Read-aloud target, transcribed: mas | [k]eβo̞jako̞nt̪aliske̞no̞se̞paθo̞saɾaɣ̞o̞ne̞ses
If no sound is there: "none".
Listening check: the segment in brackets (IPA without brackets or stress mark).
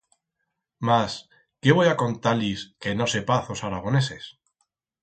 k